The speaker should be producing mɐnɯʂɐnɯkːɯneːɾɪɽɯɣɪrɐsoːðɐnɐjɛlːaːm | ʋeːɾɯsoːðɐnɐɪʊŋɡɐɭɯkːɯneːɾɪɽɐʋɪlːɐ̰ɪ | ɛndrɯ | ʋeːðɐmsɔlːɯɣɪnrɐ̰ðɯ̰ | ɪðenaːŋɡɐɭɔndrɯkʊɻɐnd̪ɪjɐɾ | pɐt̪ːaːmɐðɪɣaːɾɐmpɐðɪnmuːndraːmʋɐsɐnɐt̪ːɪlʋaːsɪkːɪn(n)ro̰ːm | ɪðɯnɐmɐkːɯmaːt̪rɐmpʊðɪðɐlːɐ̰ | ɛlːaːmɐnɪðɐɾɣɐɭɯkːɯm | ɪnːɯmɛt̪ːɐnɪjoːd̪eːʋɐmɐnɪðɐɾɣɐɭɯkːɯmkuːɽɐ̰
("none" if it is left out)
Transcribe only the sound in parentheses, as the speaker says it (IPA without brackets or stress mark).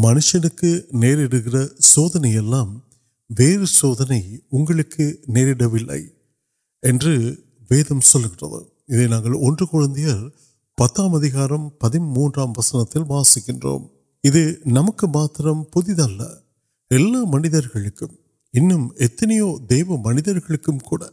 d